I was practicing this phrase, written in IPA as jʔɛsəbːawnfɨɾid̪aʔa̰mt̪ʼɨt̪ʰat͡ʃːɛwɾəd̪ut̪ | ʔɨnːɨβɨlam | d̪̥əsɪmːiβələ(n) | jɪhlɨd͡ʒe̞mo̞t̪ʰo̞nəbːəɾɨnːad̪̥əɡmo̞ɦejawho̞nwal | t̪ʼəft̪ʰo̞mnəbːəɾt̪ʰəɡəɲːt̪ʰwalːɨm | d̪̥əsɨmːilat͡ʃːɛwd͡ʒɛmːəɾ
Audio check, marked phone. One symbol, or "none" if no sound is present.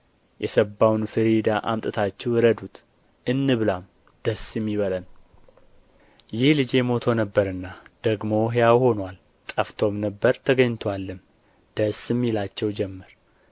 n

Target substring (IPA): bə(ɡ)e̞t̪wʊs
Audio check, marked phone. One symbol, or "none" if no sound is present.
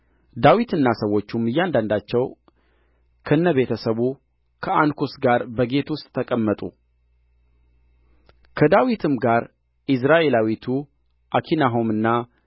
ɡ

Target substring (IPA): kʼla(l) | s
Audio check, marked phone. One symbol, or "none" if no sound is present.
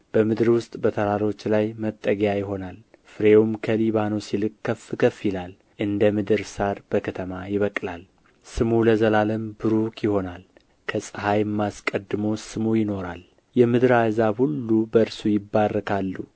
l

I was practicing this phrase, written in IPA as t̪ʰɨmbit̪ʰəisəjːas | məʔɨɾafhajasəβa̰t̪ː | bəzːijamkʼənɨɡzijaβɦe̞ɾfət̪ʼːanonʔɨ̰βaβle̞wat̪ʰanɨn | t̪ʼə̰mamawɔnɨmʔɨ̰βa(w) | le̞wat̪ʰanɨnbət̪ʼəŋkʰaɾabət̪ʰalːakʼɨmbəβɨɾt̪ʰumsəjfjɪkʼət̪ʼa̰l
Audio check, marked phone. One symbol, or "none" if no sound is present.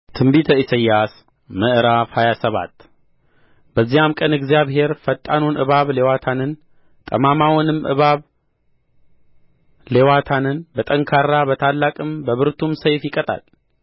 β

